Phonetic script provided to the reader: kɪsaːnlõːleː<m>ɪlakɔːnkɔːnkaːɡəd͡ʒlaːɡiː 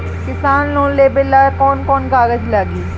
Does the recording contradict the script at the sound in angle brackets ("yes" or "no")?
yes